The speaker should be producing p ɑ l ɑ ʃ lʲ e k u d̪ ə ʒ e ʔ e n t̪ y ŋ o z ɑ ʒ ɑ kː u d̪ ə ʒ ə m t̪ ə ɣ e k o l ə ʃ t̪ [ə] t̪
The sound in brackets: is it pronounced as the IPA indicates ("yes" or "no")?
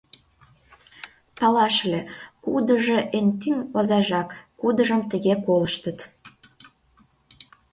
yes